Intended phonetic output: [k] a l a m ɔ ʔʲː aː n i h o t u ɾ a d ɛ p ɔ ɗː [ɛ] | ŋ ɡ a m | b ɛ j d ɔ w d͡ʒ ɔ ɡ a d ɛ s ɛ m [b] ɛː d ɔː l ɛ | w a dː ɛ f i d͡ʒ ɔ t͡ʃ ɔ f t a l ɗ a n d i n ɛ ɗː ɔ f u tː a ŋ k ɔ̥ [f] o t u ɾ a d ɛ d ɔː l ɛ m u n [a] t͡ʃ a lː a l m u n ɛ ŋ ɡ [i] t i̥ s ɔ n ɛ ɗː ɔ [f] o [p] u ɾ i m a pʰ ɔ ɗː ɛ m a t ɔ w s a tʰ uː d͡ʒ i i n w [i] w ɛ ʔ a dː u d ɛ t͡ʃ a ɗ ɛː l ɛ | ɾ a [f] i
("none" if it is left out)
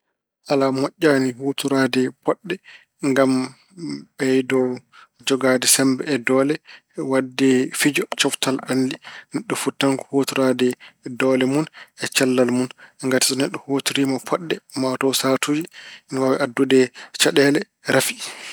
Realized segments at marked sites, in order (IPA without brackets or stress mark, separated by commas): ʔ, ɛ, b, h, ɛ, a, h, t, a, f